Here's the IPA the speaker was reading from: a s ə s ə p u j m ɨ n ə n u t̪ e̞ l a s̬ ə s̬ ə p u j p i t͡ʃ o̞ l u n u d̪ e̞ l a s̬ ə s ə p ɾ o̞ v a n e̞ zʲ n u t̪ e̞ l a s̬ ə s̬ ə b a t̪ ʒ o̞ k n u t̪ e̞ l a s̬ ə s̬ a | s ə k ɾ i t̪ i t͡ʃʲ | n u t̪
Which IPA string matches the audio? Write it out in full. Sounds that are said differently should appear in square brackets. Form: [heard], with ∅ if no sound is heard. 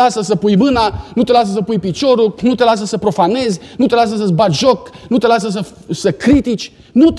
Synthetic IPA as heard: a s ə s ə p u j m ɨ n [a] n u t̪ e̞ l a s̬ ə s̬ ə p u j p i t͡ʃ o̞ [ɾ] u n u [t̪] e̞ l a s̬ ə s ə p ɾ o̞ [f] a n e̞ zʲ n u t̪ e̞ l a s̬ ə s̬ ə b a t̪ ʒ o̞ k n u t̪ e̞ l a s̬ ə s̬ [ə] | s ə k ɾ i t̪ i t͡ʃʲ | n u t̪